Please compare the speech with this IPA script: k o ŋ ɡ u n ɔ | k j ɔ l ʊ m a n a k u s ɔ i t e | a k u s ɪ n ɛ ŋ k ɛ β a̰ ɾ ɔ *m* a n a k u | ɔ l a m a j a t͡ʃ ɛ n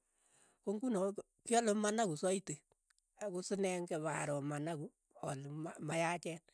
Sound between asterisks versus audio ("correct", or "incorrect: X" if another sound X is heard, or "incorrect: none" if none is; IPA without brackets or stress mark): correct